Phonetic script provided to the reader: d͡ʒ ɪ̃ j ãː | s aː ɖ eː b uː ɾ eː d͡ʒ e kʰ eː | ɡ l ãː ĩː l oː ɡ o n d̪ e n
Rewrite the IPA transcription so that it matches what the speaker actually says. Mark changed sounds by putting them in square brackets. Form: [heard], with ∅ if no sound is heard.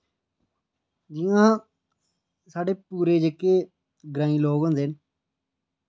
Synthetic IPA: d͡ʒ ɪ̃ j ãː | s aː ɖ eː [p] uː ɾ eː d͡ʒ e [k] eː | ɡ [ɾ] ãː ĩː l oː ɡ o n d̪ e n